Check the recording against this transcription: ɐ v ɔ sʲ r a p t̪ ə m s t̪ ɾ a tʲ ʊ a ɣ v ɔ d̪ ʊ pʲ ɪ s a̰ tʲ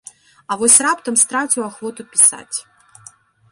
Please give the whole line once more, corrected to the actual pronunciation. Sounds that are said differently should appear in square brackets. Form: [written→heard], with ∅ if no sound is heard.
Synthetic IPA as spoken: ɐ v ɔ sʲ r a p t̪ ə m s t̪ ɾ a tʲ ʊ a [ɣ→x] v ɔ [d̪→t̪] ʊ pʲ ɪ s a̰ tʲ